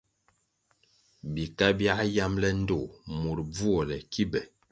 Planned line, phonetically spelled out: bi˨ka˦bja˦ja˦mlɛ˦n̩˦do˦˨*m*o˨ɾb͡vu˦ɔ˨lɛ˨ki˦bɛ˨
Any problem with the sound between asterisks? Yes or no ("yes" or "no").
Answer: no